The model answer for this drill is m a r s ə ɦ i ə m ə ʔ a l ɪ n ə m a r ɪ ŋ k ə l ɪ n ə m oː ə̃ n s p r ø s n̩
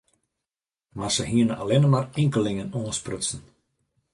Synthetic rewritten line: m a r s ə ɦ i ə n ə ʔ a l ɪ n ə m a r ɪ ŋ k ə l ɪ ŋ ə n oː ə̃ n s p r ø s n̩